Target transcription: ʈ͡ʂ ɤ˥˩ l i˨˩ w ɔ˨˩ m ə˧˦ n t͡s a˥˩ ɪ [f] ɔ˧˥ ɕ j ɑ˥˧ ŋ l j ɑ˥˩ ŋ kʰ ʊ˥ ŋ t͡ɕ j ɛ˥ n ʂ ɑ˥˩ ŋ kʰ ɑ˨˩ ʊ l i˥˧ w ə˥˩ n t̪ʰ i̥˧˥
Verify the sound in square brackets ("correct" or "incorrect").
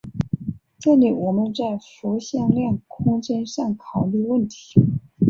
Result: correct